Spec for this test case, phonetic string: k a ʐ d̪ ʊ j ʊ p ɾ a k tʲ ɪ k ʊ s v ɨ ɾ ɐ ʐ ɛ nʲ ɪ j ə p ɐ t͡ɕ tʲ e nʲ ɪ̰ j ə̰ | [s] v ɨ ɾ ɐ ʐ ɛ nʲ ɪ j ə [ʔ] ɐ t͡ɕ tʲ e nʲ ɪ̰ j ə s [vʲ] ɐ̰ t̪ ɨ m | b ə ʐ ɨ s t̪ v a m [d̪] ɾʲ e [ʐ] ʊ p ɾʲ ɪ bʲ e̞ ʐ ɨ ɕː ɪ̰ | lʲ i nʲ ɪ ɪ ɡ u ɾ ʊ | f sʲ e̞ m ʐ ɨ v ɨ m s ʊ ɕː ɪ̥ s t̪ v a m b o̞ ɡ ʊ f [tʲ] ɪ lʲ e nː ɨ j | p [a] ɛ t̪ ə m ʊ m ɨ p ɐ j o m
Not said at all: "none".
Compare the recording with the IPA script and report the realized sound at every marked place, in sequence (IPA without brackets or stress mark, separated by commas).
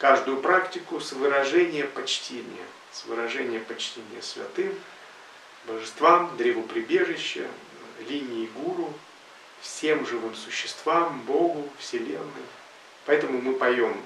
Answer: s, p, vʲ, d̪, v, sʲ, ɐ